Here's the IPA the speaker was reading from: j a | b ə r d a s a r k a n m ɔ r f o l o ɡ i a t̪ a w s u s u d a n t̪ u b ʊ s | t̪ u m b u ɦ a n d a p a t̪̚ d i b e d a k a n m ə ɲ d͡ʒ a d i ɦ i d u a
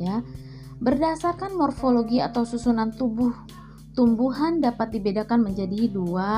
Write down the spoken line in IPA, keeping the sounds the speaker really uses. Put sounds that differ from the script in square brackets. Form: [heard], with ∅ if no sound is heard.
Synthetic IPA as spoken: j a | b ə r d a s a r k a n m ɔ r f o l o ɡ i a t̪ a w s u s u [n] a n t̪ u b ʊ [h] | t̪ u m b u ɦ a n d a p a t̪̚ d i b e d a k a n m ə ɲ d͡ʒ a d i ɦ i d u a